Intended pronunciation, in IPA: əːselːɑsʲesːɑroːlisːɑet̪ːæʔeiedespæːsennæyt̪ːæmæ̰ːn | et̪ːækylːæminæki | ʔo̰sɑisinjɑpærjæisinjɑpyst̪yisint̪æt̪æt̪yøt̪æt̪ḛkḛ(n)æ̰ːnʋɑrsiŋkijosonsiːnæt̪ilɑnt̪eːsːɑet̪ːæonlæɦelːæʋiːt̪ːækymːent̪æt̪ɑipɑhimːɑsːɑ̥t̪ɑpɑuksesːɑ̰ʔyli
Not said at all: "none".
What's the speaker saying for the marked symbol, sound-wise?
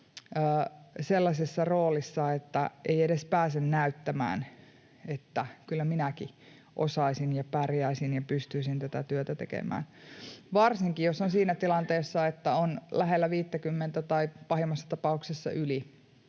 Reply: m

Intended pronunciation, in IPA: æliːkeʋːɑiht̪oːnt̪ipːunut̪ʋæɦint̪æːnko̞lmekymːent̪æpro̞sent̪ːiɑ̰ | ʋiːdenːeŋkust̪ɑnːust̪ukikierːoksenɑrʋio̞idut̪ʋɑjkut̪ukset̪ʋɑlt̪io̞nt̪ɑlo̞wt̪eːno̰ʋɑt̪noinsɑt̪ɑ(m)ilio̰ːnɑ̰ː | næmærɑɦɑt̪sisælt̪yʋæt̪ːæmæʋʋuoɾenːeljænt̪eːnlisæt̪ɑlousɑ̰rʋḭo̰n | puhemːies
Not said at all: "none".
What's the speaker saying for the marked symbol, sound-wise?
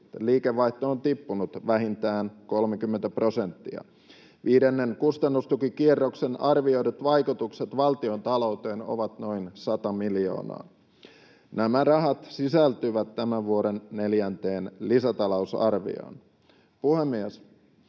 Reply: m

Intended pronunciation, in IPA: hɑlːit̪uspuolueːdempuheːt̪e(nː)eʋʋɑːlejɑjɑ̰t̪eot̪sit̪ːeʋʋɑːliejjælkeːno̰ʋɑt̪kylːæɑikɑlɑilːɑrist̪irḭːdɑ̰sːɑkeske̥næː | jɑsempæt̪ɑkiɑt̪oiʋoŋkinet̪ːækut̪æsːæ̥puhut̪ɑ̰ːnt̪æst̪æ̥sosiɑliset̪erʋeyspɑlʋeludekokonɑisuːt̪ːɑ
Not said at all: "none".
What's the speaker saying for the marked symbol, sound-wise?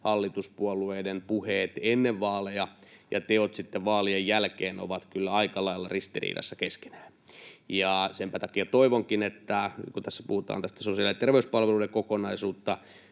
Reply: nː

